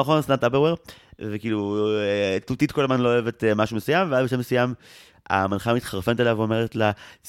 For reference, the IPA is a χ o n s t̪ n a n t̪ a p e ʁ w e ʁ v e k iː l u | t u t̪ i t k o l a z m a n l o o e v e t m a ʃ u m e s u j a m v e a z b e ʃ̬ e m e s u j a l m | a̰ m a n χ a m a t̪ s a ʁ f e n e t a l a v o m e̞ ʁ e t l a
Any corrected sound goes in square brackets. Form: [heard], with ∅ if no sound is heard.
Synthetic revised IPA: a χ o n s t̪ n a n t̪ a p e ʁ w e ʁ v e k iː l u | t u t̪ i t k o l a z m a n l o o e v e t m a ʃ u m e s u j a m v e a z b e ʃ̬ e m e s u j a [∅] m | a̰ m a n χ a m [i] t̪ [χ] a ʁ f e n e t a l a v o m e̞ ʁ e t l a